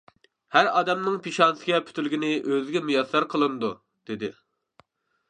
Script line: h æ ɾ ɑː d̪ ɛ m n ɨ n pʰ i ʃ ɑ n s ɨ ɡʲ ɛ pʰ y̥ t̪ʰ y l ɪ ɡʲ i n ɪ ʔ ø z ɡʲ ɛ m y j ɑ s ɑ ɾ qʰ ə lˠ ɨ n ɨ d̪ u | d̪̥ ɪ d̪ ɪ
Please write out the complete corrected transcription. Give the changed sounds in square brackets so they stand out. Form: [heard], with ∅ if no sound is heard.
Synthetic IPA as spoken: h æ ɾ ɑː d̪ ɛ m n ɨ [ŋ] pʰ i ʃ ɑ n s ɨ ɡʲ ɛ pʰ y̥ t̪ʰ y l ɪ ɡʲ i n ɪ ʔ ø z ɡʲ ɛ m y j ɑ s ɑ ɾ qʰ ə lˠ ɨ n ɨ d̪ u | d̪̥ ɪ d̪ ɪ